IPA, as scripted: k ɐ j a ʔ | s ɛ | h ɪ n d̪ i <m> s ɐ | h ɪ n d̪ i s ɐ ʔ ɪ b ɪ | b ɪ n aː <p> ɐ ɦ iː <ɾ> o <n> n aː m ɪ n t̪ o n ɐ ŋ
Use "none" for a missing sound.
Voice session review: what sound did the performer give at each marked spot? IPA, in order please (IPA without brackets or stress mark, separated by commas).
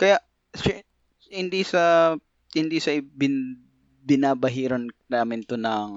none, b, ɾ, n